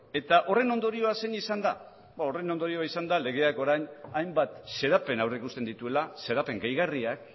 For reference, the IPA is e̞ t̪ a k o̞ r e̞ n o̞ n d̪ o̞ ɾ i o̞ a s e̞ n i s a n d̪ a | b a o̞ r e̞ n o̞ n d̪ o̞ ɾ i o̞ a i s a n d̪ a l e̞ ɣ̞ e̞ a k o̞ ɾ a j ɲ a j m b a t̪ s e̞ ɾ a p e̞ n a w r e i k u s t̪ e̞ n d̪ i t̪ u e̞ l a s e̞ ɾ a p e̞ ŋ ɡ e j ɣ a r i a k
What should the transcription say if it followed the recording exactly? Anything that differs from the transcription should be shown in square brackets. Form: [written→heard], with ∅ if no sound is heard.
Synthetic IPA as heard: e̞ t̪ a [k→ʔ] o̞ r e̞ n o̞ n d̪ o̞ ɾ i o̞ a s e̞ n i s a n d̪ a | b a o̞ r e̞ n o̞ n d̪ o̞ ɾ i o̞ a i s a n d̪ a l e̞ ɣ̞ e̞ a k o̞ ɾ a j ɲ a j m b a t̪ s e̞ ɾ a p e̞ n a w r e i k u s t̪ e̞ n d̪ i t̪ u e̞ l a s e̞ ɾ a p e̞ ŋ ɡ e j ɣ a r i a k